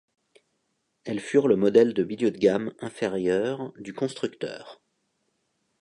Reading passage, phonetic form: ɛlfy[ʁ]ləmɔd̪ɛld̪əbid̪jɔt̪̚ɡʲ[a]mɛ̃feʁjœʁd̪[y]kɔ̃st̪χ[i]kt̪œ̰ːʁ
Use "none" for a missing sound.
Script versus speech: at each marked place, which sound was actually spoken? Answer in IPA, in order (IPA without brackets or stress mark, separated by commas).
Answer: ʁ, a, y, y